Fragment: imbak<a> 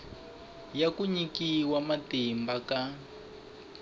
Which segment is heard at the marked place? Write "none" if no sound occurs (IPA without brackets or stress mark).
a